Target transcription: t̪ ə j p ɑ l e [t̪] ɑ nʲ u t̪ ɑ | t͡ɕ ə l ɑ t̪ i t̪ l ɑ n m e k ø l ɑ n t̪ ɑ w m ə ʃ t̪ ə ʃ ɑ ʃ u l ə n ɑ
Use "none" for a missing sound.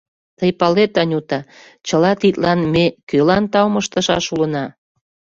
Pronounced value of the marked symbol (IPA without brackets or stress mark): t̪